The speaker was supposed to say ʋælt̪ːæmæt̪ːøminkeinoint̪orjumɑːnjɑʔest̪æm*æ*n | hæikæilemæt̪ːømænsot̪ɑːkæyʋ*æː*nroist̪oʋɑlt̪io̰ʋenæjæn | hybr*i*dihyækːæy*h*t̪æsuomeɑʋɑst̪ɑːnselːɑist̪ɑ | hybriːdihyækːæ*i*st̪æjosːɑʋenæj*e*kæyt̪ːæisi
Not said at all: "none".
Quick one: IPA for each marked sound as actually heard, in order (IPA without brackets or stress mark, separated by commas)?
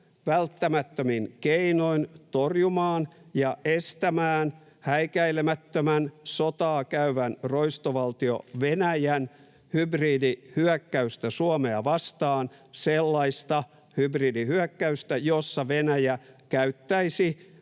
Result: æː, æ, iː, s, y, æ